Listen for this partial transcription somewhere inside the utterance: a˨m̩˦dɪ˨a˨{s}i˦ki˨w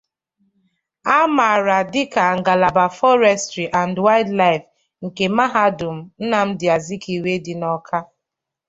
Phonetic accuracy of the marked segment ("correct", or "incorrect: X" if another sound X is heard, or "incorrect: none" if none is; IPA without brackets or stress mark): incorrect: z